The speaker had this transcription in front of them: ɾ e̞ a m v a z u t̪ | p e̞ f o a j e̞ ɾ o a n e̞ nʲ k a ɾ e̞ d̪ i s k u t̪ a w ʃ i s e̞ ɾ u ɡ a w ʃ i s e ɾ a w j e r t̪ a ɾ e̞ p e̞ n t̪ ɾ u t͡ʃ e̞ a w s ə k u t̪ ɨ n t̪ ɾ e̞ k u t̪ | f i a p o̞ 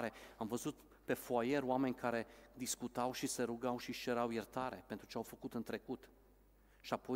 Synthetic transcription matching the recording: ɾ e̞ a m v ə z u t̪ | p e̞ f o a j e̞ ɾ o a m e̞ nʲ k a ɾ e̞ d̪ i s k u t̪ a w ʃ i s e̞ ɾ u ɡ a w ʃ i ʃ e ɾ a w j e r t̪ a ɾ e̞ p e̞ n t̪ ɾ u t͡ʃ e̞ a w f ə k u t̪ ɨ n t̪ ɾ e̞ k u t̪ | ʃ i a p o̞